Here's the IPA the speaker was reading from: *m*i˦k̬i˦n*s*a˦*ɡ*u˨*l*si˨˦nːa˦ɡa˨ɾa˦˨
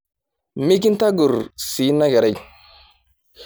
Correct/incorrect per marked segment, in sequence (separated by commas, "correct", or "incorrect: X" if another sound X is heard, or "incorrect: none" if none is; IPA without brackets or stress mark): correct, incorrect: t, correct, incorrect: ɾ